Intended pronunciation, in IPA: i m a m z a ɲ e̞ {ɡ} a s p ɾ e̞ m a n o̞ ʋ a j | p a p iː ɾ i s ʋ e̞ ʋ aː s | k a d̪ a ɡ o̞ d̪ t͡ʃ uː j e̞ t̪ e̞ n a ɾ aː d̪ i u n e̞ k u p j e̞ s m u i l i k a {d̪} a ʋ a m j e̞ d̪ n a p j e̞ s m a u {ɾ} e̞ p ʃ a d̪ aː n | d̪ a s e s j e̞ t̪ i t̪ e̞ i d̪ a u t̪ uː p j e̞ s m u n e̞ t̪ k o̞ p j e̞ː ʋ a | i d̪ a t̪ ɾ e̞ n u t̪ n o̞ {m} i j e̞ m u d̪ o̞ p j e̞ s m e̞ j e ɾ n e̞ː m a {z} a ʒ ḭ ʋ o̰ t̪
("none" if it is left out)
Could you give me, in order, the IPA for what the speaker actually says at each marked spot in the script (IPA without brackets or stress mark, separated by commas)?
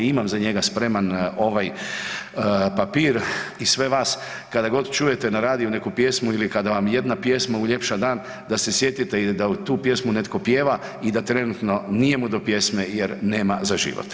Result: ɡ, d̪, ʎ, n, z